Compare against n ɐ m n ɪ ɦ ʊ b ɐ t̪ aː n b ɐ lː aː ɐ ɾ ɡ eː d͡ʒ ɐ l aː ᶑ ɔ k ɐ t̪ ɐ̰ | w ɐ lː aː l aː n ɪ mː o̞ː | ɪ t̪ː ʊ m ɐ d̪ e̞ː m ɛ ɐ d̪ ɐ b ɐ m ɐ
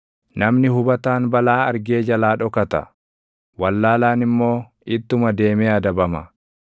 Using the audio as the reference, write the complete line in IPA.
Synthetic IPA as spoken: n ɐ m n ɪ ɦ ʊ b ɐ t̪ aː n b ɐ l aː ɐ ɾ ɡ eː d͡ʒ ɐ l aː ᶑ ɔ k ɐ t̪ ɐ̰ | w ɐ lː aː l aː n ɪ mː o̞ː | ɪ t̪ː ʊ m ɐ d̪ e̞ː m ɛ ɐ d̪ ɐ b ɐ m ɐ